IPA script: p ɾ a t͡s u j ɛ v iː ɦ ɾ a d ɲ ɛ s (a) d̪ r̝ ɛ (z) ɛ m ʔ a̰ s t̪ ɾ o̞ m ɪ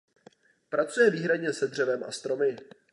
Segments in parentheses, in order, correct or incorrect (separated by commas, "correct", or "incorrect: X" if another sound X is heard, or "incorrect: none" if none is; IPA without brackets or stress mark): incorrect: ɛ, incorrect: v